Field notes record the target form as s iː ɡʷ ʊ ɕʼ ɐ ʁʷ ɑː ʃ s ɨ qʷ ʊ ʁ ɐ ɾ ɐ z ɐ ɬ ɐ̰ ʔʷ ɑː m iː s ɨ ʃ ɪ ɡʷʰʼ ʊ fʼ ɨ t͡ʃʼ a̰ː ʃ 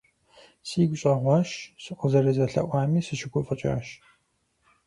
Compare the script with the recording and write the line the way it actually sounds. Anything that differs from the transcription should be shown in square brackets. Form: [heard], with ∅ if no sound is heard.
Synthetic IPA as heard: s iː ɡʷ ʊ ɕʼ ɐ ʁʷ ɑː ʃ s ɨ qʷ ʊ [z] ɐ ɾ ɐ z ɐ ɬ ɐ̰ ʔʷ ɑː m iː s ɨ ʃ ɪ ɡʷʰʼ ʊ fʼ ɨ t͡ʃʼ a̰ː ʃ